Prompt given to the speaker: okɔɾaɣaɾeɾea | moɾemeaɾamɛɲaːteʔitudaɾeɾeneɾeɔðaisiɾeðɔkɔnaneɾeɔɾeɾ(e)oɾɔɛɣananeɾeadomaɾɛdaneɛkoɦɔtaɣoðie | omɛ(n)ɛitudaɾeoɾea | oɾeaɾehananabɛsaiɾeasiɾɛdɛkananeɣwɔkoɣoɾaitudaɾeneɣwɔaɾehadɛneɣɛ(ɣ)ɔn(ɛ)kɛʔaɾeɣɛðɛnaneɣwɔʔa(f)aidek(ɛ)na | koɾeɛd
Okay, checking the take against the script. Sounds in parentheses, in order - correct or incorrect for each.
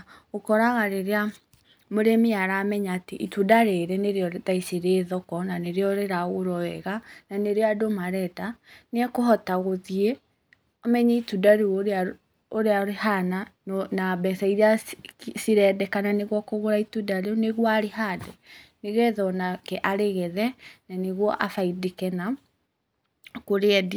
incorrect, incorrect, incorrect, incorrect, correct, correct

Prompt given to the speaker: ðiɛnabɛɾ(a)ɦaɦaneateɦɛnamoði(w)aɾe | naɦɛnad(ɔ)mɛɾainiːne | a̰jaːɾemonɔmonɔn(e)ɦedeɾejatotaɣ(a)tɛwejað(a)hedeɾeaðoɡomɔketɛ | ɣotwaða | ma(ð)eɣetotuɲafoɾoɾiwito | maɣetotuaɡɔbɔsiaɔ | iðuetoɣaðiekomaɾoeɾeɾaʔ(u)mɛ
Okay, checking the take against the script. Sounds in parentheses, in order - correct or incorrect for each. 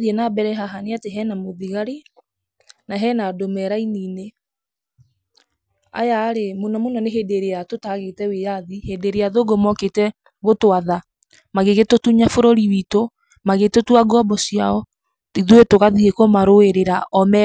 incorrect, incorrect, incorrect, correct, incorrect, incorrect, incorrect, incorrect

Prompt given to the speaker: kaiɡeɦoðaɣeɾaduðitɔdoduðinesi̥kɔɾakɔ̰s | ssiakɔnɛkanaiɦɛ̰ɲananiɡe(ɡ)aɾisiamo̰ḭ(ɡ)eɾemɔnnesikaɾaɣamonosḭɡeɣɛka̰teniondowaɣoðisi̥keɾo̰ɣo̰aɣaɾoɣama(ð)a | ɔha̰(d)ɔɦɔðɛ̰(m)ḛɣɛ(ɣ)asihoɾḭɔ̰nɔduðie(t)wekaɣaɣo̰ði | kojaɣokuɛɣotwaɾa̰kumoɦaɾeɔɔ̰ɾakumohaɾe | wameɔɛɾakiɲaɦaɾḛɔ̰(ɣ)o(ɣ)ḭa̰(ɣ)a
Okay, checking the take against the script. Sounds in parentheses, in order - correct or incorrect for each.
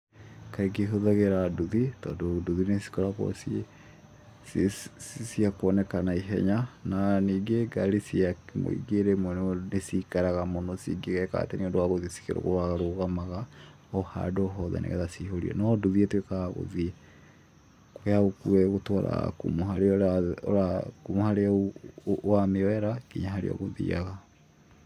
correct, correct, incorrect, correct, incorrect, incorrect, correct, correct, incorrect, correct

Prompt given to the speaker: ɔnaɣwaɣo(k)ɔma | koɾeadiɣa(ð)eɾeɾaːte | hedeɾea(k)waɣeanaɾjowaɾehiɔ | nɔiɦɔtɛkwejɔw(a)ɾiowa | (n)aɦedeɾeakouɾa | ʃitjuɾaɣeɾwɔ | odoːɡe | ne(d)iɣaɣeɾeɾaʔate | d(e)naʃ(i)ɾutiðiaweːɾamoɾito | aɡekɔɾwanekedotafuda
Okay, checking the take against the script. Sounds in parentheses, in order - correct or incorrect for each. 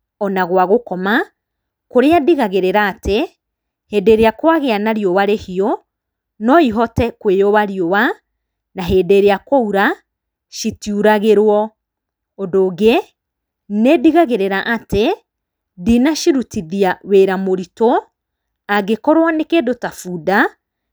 correct, incorrect, correct, correct, correct, correct, incorrect, correct

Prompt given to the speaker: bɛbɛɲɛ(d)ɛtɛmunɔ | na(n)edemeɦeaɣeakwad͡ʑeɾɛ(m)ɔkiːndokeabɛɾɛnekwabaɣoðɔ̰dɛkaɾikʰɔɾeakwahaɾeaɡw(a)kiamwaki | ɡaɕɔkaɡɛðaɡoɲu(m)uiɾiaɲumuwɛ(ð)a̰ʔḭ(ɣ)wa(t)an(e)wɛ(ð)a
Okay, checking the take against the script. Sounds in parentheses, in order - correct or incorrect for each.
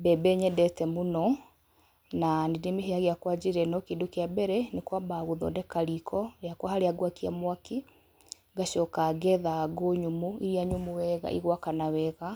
correct, correct, incorrect, correct, correct, incorrect, correct, incorrect, incorrect, incorrect

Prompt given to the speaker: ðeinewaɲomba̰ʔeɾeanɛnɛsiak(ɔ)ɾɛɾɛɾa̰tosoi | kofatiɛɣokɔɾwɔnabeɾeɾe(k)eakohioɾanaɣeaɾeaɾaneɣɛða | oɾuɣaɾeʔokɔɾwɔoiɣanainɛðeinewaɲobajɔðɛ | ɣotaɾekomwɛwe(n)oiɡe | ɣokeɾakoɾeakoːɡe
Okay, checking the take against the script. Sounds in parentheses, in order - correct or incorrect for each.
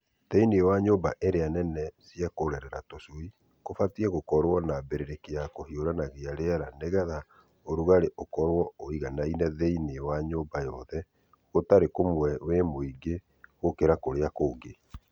incorrect, correct, incorrect

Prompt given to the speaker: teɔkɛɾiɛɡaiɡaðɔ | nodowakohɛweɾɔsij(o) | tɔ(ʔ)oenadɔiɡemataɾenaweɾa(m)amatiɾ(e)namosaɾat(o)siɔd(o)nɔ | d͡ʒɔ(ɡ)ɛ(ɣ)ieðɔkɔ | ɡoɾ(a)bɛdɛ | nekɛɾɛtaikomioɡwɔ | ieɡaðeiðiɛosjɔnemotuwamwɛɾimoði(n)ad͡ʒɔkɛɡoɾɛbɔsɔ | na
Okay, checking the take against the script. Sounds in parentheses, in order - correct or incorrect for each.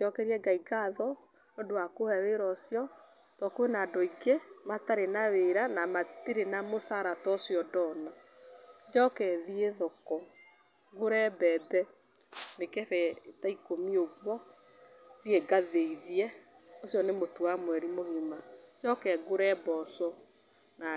incorrect, incorrect, incorrect, correct, incorrect, incorrect, incorrect, incorrect, incorrect, incorrect

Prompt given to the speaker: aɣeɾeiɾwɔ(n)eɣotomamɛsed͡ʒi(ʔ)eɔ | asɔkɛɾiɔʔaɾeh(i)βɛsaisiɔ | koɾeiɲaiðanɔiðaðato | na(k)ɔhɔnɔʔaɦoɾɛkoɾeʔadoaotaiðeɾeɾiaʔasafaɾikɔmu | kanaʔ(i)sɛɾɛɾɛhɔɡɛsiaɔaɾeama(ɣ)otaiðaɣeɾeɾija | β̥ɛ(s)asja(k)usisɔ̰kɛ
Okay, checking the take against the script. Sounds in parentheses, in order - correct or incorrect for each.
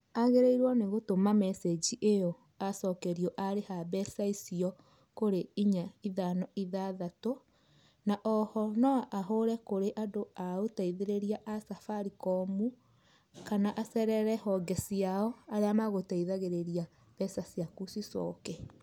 correct, correct, incorrect, incorrect, incorrect, correct, correct, correct

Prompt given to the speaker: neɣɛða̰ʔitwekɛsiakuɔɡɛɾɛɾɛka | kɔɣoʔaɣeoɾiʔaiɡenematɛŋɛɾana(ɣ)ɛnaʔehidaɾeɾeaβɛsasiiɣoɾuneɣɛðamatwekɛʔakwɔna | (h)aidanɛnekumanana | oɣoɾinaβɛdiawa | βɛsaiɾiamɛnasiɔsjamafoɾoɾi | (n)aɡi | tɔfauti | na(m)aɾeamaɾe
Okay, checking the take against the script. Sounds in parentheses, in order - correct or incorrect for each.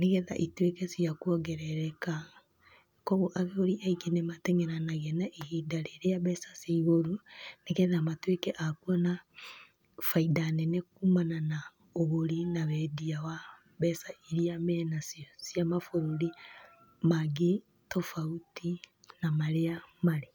correct, incorrect, incorrect, correct

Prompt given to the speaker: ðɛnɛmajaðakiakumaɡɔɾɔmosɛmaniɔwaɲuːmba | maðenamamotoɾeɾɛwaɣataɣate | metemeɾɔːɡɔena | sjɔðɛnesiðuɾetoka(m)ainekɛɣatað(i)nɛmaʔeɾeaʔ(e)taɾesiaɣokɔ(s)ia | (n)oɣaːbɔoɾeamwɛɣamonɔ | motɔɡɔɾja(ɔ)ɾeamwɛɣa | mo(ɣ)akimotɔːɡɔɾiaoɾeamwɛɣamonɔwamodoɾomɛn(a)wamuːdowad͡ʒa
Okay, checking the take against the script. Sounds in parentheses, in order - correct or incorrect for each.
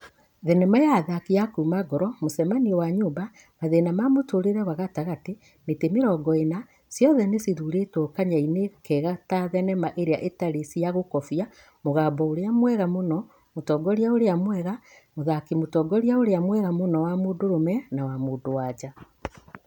incorrect, incorrect, correct, incorrect, incorrect, incorrect, incorrect, correct

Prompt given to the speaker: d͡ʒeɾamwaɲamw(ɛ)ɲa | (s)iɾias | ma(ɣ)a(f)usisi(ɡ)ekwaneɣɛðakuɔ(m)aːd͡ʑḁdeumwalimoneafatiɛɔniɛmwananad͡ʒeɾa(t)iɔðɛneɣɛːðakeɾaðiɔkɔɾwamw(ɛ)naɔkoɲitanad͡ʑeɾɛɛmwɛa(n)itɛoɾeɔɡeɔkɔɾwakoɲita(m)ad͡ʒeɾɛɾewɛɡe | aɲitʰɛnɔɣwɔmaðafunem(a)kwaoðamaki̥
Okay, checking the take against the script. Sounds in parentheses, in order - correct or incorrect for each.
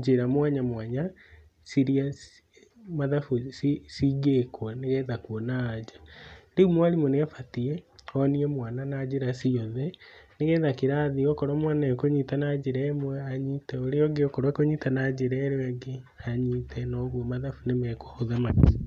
incorrect, correct, incorrect, correct, correct, incorrect, incorrect, incorrect, incorrect, incorrect, incorrect

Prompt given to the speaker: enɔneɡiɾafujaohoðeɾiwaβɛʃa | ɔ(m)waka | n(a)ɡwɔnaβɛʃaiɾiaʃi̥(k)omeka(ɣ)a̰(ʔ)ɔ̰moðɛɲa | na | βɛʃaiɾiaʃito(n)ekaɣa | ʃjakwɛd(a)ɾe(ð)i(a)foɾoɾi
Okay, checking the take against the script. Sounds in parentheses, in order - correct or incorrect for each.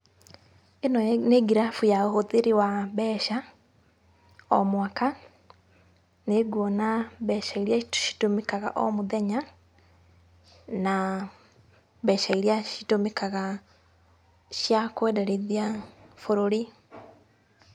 correct, incorrect, incorrect, correct, correct, incorrect, incorrect, correct, correct

